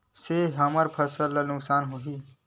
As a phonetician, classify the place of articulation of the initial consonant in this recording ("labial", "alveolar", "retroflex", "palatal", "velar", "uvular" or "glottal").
alveolar